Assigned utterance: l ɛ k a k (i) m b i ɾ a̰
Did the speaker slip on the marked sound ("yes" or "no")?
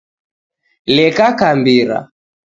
yes